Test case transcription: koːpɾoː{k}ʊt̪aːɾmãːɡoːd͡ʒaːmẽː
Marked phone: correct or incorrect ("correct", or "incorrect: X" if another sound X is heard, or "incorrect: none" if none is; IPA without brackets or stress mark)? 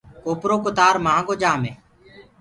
correct